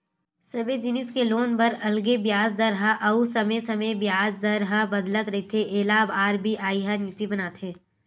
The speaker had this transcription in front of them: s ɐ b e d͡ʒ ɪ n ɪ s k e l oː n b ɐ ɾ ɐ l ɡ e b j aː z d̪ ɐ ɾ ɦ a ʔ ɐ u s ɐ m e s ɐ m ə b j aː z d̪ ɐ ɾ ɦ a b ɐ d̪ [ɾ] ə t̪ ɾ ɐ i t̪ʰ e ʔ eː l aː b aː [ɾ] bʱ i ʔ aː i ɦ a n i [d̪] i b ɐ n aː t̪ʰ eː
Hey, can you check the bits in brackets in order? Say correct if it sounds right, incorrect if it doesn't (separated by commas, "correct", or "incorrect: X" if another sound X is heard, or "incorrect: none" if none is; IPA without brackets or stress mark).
incorrect: l, correct, incorrect: t̪